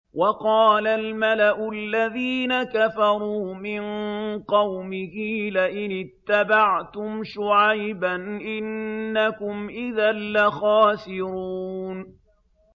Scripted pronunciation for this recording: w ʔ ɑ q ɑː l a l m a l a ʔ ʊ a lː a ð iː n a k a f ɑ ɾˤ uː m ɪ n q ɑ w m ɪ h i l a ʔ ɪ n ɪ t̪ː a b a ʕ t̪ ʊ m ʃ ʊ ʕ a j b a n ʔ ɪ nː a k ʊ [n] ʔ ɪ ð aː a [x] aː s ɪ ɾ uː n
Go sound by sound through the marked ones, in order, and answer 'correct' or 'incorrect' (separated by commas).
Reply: incorrect, correct